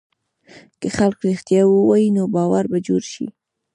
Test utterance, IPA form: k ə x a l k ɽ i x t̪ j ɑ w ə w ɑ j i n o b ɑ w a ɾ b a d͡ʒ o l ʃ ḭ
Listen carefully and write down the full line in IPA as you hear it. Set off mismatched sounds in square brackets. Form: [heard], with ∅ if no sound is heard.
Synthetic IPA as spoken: k ə x a l k [ɾ] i x t̪ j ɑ w ə w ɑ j i n o b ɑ w a ɾ b a d͡ʒ o [ɾ] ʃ ḭ